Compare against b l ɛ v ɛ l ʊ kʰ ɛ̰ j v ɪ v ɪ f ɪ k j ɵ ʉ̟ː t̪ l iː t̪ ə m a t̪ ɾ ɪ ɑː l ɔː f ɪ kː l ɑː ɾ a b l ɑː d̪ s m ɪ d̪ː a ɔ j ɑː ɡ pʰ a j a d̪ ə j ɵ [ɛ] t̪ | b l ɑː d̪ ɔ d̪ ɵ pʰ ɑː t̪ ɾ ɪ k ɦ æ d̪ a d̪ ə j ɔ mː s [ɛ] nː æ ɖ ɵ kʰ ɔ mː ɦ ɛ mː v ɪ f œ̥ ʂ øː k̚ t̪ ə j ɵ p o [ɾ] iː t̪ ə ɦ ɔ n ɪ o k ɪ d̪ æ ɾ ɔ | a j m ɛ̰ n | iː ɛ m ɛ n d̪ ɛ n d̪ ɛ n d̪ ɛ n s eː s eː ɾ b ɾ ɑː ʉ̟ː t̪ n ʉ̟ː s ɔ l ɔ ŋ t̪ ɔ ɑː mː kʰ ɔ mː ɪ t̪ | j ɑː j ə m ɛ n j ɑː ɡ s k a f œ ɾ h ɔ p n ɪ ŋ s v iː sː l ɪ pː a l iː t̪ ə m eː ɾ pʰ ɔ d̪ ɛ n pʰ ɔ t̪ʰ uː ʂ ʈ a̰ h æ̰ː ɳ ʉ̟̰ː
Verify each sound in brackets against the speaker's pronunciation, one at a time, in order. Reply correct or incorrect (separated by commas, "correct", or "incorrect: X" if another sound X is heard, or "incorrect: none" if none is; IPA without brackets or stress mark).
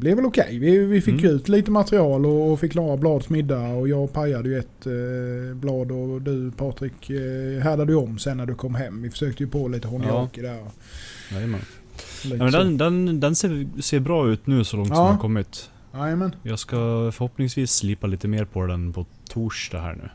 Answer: correct, correct, incorrect: l